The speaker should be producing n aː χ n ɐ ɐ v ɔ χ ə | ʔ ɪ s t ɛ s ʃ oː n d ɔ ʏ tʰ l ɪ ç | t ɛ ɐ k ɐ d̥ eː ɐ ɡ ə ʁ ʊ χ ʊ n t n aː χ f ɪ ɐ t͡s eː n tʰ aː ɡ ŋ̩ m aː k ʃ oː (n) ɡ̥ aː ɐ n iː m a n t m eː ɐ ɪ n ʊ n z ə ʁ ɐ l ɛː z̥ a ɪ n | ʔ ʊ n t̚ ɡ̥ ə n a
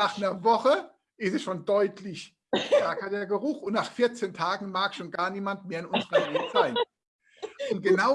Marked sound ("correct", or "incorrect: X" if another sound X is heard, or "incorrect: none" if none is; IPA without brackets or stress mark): correct